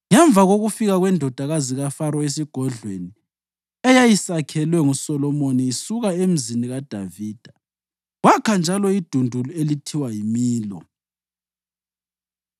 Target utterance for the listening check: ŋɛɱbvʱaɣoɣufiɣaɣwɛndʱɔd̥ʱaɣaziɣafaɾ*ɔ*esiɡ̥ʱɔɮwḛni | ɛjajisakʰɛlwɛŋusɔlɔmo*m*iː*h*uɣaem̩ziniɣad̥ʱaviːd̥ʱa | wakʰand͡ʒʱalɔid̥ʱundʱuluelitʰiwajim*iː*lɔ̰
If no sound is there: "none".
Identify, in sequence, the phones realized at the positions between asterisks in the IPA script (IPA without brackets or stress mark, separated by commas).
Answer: ɔ, n, s, iː